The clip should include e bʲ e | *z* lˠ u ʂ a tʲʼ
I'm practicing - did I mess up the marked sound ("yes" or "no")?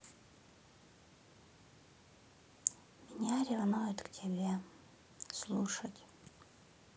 yes